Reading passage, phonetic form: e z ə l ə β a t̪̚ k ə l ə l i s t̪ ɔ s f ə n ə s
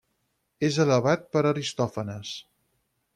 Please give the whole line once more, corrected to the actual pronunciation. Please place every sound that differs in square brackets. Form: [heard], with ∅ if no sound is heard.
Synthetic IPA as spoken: e z ə l ə β a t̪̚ [p] ə [ɾ] ə [ɾ] i s t̪ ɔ [∅] f ə n ə s